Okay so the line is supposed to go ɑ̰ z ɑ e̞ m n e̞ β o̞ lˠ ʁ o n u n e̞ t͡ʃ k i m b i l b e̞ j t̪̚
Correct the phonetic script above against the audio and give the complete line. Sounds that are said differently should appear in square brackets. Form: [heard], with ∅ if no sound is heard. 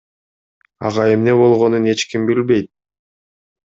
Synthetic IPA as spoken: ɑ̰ [ʁ] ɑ e̞ m n e̞ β o̞ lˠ ʁ o n u n e̞ t͡ʃ k i m b i l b e̞ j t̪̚